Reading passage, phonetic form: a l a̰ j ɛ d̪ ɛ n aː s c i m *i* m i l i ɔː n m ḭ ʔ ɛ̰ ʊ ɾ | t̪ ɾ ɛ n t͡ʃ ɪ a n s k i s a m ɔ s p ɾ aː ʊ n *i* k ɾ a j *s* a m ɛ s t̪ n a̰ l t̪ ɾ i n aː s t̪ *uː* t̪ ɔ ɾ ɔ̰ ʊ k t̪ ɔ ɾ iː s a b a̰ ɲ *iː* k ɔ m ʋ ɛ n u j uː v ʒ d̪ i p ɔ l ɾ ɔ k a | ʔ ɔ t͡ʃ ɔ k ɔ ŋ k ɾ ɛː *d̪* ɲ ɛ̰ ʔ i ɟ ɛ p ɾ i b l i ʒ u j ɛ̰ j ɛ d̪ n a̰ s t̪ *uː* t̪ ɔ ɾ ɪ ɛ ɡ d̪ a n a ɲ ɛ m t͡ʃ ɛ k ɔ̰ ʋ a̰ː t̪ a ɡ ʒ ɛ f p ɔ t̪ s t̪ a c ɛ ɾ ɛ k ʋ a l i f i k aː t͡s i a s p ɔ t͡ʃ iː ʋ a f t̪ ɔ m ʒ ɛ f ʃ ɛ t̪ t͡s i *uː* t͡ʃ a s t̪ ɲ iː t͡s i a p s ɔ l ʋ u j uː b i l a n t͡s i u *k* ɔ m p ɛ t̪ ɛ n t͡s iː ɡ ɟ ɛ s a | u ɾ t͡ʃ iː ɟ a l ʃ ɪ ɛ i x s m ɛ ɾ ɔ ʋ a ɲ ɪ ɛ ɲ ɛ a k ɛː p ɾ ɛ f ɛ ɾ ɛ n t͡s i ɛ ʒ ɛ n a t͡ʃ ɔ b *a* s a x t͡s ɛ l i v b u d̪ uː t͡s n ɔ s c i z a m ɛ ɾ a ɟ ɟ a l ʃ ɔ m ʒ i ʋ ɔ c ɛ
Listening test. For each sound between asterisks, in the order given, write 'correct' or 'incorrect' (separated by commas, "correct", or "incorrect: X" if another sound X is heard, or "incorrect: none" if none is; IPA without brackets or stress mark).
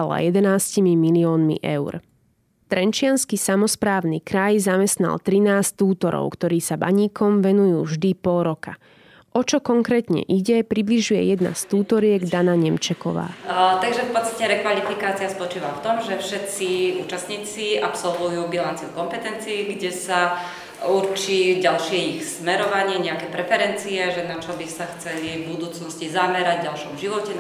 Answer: correct, correct, incorrect: z, correct, correct, incorrect: t̪, correct, correct, correct, incorrect: i